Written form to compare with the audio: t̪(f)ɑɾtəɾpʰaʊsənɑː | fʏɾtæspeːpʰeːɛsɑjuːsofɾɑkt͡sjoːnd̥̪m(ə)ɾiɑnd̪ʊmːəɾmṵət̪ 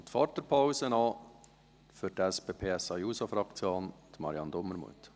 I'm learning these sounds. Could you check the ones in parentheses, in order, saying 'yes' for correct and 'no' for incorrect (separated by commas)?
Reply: yes, no